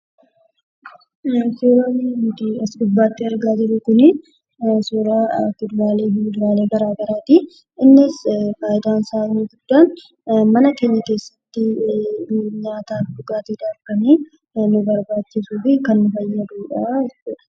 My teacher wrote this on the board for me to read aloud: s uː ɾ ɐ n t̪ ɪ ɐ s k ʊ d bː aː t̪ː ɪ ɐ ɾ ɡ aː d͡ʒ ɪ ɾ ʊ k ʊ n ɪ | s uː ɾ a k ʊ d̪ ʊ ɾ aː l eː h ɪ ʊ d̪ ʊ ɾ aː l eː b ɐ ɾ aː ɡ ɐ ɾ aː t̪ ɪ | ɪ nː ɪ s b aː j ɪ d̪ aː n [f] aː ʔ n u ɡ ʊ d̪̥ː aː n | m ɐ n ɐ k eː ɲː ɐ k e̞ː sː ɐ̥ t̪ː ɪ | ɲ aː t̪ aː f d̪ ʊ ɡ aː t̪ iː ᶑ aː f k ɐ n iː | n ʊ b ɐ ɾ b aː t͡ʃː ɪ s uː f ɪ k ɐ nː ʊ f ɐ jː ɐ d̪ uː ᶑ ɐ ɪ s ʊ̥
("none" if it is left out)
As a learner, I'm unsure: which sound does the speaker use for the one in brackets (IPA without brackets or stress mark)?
s